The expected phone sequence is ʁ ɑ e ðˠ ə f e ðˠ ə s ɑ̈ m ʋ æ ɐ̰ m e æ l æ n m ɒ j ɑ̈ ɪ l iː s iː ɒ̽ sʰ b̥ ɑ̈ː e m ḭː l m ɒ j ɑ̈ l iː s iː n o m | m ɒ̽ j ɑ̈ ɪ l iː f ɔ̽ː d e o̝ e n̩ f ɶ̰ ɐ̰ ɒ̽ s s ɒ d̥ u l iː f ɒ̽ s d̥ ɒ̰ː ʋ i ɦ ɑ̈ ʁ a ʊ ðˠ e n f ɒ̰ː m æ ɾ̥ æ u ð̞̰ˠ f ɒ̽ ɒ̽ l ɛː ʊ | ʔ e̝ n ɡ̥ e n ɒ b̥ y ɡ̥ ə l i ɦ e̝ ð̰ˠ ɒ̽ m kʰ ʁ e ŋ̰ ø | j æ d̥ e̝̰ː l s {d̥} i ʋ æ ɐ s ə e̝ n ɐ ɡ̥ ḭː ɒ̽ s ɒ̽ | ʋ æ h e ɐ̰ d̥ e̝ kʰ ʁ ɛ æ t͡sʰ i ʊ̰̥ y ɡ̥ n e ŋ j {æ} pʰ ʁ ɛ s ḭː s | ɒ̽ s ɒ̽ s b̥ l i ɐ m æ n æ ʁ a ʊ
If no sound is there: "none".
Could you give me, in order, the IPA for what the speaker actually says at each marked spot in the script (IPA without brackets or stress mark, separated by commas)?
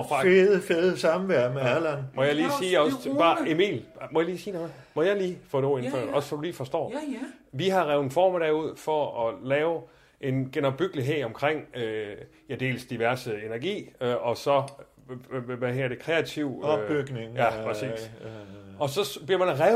d̥, æ